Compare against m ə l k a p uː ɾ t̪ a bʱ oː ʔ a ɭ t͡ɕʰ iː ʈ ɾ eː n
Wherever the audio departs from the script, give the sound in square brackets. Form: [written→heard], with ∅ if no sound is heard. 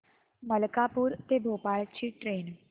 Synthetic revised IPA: m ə l k a p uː ɾ t̪ [a→e] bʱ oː [ʔ→p] a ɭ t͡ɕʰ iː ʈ ɾ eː n